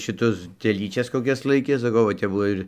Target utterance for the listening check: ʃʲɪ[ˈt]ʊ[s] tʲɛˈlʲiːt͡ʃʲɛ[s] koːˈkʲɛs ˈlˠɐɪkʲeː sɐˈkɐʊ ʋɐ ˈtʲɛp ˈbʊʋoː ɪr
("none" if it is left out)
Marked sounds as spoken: t, s, s

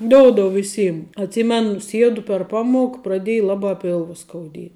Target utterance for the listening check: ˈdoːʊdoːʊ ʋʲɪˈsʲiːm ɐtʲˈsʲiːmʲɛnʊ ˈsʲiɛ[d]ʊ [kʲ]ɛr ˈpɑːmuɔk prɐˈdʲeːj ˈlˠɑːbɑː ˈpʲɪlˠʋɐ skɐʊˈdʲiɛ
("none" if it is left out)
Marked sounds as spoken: d, pʲ

